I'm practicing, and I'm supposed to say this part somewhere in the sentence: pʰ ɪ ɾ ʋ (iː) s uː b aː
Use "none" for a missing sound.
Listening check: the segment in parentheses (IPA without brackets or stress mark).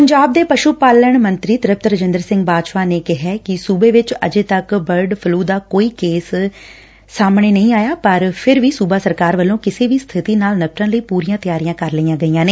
iː